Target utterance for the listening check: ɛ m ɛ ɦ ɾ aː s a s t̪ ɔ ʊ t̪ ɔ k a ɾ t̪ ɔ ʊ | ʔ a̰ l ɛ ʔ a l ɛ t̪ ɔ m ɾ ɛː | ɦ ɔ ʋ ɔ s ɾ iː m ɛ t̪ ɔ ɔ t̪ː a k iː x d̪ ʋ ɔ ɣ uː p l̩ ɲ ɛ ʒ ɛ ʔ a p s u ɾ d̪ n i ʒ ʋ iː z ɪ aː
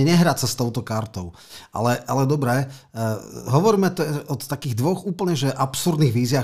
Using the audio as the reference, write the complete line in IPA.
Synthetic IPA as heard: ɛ ɲ ɛ ɦ ɾ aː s a s t̪ ɔ ʊ t̪ ɔ k a ɾ t̪ ɔ ʊ | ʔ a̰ l ɛ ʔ a l ɛ d̪ ɔ b ɾ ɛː | ɦ ɔ ʋ ɔ ɾ iː m ɛ t̪ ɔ ɔ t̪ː a k iː ɣ d̪ ʋ ɔ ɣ uː p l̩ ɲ ɛ ʒ ɛ ʔ a p s u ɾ d̪ n i ɣ ʋ iː z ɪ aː